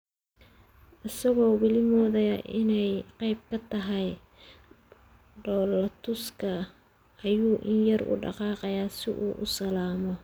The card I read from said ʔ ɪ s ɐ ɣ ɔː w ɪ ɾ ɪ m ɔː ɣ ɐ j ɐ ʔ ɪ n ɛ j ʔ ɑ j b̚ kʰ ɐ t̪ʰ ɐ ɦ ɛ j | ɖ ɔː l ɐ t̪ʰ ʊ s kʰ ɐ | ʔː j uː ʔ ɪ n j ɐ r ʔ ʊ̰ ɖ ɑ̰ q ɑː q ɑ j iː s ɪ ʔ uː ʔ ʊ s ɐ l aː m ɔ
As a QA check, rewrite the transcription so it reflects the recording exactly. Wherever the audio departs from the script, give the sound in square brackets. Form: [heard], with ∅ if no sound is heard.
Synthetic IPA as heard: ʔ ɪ s ɐ ɣ ɔː w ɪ [l] ɪ m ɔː [ð] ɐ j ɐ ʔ ɪ n ɛ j [q] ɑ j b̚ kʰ ɐ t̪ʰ ɐ ɦ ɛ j | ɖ ɔː l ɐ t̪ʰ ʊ s kʰ ɐ | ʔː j uː ʔ ɪ n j ɐ r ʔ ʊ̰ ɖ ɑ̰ q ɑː q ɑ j [aː] s ɪ ʔ uː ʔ ʊ s ɐ l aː m ɔ